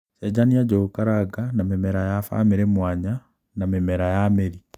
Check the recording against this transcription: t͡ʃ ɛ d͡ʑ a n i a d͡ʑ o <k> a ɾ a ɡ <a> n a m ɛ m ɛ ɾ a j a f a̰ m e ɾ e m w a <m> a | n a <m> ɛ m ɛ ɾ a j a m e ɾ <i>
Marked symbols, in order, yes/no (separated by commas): yes, yes, no, yes, yes